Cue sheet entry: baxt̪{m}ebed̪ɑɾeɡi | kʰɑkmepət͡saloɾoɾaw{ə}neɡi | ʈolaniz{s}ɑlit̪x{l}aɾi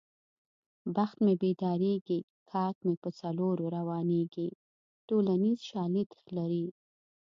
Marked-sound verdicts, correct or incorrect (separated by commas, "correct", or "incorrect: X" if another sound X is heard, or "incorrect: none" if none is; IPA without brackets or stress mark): correct, incorrect: ɑ, incorrect: ʃ, correct